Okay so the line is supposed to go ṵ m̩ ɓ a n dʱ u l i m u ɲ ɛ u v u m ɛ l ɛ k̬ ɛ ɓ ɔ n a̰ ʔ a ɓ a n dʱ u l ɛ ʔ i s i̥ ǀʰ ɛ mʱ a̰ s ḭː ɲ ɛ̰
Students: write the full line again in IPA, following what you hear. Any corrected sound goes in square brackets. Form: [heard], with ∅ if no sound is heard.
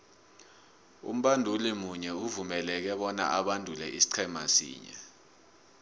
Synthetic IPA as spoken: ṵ m̩ ɓ a n dʱ u l i m u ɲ ɛ u v u m ɛ l ɛ k̬ ɛ ɓ ɔ n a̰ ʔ a ɓ a n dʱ u l ɛ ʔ i s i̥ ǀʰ ɛ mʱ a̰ s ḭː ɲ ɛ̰

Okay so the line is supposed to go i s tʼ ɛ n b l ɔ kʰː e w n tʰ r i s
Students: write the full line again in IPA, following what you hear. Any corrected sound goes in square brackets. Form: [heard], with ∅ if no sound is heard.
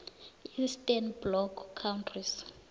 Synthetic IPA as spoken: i s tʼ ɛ n b l ɔ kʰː [a] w n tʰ r i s

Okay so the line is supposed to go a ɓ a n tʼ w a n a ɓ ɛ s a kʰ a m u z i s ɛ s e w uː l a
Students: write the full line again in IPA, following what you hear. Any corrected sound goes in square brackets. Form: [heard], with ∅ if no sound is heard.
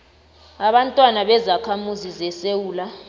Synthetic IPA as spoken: a ɓ a n tʼ w a n a ɓ ɛ [z] a kʰ a m u z i [z] ɛ s e w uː l a

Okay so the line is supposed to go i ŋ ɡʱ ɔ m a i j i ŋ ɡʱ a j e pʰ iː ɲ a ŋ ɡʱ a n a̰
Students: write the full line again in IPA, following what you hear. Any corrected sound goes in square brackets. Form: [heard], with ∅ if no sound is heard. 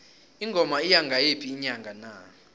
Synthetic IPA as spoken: i ŋ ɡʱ ɔ m a i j [a] ŋ ɡʱ a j e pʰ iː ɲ a ŋ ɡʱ a n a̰

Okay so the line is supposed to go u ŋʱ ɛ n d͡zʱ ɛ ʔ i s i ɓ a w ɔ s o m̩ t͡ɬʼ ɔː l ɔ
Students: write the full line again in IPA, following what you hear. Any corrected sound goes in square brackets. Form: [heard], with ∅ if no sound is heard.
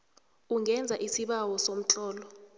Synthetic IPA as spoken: u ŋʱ ɛ n d͡zʱ [a] ʔ i s i ɓ a w ɔ s o m̩ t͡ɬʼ ɔː l ɔ

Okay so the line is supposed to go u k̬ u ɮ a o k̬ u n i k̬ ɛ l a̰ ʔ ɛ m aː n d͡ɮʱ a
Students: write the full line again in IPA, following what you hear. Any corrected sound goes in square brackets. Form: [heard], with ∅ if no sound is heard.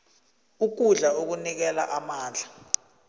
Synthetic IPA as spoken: u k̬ u ɮ a o k̬ u n i k̬ ɛ l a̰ ʔ [a] m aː n d͡ɮʱ a

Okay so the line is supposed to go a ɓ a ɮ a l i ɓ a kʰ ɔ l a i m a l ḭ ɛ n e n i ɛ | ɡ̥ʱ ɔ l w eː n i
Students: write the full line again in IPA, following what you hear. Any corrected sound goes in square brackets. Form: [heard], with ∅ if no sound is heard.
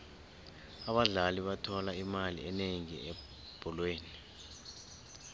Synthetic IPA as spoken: a ɓ a ɮ a l i ɓ a [tʰ] ɔ l a i m a l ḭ ɛ n e [ŋ] i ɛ | [b̥ʱ] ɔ l w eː n i

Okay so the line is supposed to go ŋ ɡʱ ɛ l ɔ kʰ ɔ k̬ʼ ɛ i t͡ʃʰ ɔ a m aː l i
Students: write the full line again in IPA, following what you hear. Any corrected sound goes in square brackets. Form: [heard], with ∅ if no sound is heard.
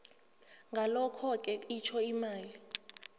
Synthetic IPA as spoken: ŋ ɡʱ [a] l ɔ kʰ ɔ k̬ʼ ɛ i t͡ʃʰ ɔ [i] m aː l i

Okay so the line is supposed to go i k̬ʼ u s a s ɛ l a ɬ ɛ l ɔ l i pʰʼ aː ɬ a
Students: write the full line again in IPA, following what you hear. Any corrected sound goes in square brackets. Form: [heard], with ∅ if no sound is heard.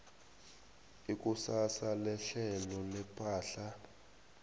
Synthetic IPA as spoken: i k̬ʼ u s a s [a] l [ɛ] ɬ ɛ l ɔ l [ɛ] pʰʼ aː ɬ a

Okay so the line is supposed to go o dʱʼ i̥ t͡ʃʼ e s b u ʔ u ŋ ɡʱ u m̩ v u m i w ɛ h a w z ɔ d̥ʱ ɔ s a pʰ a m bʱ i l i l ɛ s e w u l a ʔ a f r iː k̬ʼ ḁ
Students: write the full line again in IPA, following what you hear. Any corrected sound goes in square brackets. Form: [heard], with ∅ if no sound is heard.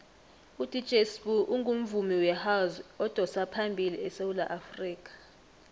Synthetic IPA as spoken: [u] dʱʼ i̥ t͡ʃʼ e s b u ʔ u ŋ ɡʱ u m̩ v u m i w ɛ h a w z ɔ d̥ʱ ɔ s a pʰ a m bʱ i l i [∅] ɛ s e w u l a ʔ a f r iː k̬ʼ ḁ

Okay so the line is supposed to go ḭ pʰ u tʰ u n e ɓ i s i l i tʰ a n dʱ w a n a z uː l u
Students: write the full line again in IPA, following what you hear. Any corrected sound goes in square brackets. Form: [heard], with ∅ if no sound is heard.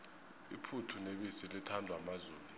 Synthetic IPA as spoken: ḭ pʰ u tʰ u n e ɓ i s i l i tʰ a n dʱ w a [m] a z uː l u

